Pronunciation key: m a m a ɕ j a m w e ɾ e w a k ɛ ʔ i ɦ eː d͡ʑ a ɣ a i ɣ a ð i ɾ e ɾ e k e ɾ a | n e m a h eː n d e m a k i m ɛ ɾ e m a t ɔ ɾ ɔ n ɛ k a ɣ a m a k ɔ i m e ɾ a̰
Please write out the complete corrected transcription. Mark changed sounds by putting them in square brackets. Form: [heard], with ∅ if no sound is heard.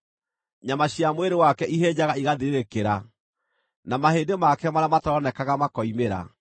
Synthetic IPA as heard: [ɲ] a m a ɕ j a m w e ɾ e w a k ɛ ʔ i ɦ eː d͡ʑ a ɣ a i ɣ a ð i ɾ e ɾ e k e ɾ a | n [a] m a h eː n d e m a k [ɛ] m [a] ɾ [a] m a t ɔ ɾ ɔ n ɛ k a ɣ a m a k ɔ i m e ɾ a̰